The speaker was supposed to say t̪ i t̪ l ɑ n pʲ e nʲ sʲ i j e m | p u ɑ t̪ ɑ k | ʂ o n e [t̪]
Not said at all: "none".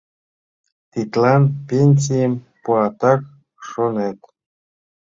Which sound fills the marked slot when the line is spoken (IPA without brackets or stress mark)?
t̪